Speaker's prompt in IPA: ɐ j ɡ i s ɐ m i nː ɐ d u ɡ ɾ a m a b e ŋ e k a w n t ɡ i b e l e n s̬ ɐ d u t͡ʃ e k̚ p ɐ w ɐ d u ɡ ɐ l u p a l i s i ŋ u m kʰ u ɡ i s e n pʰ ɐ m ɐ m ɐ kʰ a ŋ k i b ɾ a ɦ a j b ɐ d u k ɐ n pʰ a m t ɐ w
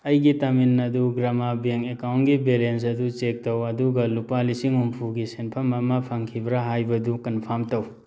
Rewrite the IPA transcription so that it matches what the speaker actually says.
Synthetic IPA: ɐ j ɡ i t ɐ m i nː ɐ d u ɡ ɾ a m a b e ŋ e k a w n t ɡ i b e l e n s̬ ɐ d u t͡ʃ e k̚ t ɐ w ɐ d u ɡ ɐ l u p a l i s i ŋ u m pʰ u ɡ i s e n pʰ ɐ m ɐ m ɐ pʰ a ŋ kʰ i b ɾ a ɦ a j b ɐ d u k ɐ n pʰ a m t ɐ w